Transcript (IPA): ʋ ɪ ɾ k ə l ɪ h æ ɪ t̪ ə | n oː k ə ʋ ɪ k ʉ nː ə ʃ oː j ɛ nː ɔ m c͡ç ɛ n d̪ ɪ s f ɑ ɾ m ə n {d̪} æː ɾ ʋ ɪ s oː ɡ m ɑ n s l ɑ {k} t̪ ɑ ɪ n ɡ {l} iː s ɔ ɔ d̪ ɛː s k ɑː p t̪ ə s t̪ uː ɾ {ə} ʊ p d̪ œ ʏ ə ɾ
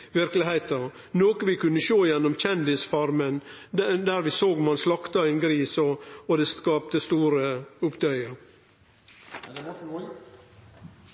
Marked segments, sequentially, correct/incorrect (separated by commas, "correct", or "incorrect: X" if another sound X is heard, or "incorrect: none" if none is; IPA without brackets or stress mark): correct, correct, incorrect: ɾ, correct